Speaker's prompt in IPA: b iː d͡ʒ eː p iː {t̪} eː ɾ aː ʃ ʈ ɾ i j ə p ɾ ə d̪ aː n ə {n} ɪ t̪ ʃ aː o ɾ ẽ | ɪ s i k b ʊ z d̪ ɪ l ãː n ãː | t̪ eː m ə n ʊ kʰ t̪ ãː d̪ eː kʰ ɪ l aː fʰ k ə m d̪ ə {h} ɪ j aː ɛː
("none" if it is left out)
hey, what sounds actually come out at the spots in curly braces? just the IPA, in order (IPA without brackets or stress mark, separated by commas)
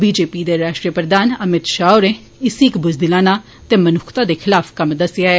d̪, m, s